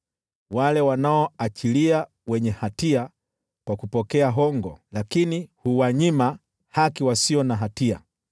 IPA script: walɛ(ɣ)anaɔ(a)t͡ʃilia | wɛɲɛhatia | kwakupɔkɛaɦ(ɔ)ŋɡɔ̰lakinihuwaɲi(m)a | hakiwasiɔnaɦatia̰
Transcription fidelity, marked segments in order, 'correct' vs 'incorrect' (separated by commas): incorrect, correct, correct, correct